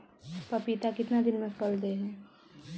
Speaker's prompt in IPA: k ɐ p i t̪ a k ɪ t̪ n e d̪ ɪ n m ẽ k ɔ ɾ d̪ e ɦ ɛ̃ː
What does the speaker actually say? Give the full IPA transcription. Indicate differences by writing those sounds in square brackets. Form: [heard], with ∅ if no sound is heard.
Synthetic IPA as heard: [p] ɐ p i t̪ a k ɪ t̪ n [a] d̪ ɪ n m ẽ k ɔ [l] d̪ e ɦ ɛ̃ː